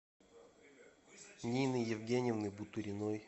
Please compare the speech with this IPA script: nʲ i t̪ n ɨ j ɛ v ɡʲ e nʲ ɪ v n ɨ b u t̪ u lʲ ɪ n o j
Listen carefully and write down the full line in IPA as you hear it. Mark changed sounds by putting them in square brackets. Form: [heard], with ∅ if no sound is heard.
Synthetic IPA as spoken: nʲ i [∅] n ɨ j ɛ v ɡʲ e nʲ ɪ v n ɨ b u t̪ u [ɾʲ] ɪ n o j

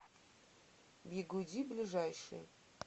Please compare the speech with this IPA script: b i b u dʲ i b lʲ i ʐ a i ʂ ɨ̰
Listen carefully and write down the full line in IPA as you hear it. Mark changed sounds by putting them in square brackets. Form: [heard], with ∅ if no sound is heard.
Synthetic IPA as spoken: b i [ɡ] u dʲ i b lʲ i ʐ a [j] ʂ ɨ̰

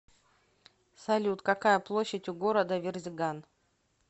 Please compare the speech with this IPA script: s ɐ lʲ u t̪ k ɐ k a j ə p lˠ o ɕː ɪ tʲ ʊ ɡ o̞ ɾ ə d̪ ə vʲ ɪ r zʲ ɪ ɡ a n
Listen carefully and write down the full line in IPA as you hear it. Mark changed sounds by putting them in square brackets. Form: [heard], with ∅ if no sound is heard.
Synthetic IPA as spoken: s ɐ lʲ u t̪ k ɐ k a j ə p lˠ o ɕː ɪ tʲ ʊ ɡ o̞ ɾ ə d̪ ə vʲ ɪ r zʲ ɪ ɡ a n

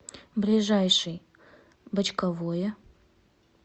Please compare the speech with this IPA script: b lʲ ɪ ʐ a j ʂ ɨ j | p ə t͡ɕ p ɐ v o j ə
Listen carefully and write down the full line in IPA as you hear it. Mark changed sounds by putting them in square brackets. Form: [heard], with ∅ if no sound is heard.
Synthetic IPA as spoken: b lʲ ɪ ʐ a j ʂ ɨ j | [b] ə t͡ɕ [k] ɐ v o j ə

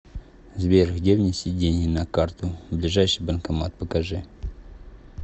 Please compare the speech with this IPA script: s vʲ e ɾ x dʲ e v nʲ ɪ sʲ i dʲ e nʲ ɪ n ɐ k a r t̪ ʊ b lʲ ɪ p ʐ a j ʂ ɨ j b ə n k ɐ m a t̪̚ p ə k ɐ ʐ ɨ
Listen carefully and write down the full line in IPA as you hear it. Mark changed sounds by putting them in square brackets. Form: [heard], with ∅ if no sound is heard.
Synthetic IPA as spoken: [z] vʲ e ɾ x dʲ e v nʲ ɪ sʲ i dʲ e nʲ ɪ n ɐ k a r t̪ ʊ b lʲ ɪ [∅] ʐ a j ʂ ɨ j b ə n k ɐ m a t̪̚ p ə k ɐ ʐ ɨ

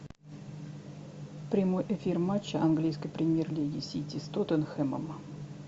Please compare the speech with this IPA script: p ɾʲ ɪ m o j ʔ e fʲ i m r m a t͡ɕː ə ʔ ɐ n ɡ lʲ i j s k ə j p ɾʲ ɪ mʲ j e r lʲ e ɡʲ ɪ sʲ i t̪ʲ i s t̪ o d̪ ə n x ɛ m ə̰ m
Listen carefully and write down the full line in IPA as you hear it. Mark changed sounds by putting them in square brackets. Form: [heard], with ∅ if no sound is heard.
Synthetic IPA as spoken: p ɾʲ ɪ m o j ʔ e fʲ i [∅] r m a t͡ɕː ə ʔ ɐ n ɡ lʲ i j s k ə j p ɾʲ ɪ mʲ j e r lʲ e ɡʲ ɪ sʲ i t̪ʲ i s t̪ o [t̪] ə n x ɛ m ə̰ m

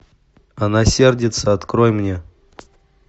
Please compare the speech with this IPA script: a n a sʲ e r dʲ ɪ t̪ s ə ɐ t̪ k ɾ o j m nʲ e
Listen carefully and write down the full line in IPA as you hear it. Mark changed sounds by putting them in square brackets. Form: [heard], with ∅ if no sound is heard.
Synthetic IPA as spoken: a n a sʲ e r dʲ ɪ t̪ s ə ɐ t̪ k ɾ o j m nʲ e

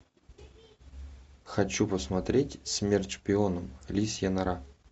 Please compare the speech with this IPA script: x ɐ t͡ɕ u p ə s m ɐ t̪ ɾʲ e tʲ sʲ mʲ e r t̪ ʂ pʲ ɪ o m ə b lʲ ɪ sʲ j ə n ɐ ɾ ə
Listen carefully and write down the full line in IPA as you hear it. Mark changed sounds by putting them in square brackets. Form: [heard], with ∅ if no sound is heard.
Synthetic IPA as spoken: x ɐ t͡ɕ u p ə s m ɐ t̪ ɾʲ e tʲ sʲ mʲ e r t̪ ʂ pʲ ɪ o [n] ə [m] lʲ [i] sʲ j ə n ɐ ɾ [a]

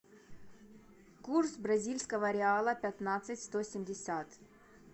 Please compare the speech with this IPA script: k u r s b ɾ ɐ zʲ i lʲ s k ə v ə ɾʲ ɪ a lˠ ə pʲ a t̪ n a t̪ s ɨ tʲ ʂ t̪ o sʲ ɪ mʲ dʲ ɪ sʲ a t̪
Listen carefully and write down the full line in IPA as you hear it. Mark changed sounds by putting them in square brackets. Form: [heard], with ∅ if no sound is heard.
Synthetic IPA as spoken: k u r s b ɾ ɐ zʲ i lʲ s k ə v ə ɾʲ ɪ a lˠ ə pʲ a t̪ n a t̪ s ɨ tʲ [s] t̪ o sʲ ɪ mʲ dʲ ɪ sʲ a t̪

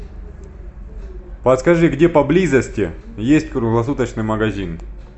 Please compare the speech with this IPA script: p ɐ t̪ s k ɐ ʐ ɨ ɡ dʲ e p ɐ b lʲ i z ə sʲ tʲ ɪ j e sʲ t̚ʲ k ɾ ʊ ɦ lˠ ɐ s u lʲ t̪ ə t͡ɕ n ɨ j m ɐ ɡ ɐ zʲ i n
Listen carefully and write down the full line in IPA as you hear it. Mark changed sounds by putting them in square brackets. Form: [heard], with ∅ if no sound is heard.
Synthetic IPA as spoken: p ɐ t̪ s k ɐ ʐ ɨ ɡ dʲ e p ɐ b lʲ i z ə sʲ tʲ ɪ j e sʲ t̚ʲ k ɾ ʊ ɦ lˠ ɐ s u [∅] t̪ ə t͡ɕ n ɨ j m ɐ ɡ ɐ zʲ i n

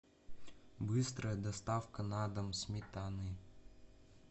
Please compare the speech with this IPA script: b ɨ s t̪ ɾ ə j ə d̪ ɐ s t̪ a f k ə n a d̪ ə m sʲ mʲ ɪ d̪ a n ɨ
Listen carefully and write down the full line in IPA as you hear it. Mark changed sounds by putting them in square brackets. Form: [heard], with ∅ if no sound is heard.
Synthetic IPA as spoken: b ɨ s t̪ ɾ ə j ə d̪ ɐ s t̪ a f k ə n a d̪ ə m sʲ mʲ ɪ [t̪] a n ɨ

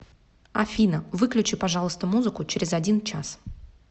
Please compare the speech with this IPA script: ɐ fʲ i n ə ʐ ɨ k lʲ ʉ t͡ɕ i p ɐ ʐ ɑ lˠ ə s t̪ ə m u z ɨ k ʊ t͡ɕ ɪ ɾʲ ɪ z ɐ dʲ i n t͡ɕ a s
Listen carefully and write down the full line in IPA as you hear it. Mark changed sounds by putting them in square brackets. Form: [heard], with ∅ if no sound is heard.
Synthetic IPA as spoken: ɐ fʲ i n ə [v] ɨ k lʲ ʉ t͡ɕ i p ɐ ʐ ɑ lˠ ə s t̪ ə m u z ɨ k ʊ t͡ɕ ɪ ɾʲ ɪ z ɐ dʲ i n t͡ɕ a s

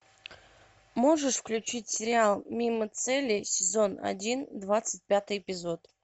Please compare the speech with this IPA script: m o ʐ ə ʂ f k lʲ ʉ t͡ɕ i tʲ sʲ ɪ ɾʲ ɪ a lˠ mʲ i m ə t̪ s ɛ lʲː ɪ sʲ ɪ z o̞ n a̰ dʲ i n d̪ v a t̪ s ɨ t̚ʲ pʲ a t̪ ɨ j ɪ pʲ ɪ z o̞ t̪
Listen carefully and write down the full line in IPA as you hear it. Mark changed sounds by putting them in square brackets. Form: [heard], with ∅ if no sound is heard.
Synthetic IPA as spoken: m o ʐ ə ʂ f k lʲ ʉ t͡ɕ i tʲ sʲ ɪ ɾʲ ɪ a lˠ mʲ i m ə t̪ s ɛ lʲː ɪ sʲ ɪ z o̞ n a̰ dʲ i n d̪ v a t̪ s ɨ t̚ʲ pʲ a t̪ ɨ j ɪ pʲ ɪ z o̞ t̪

